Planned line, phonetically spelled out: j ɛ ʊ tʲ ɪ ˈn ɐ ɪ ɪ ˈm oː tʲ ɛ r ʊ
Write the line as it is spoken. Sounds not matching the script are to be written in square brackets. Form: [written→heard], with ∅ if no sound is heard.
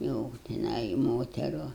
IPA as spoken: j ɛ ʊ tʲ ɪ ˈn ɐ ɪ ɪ ˈm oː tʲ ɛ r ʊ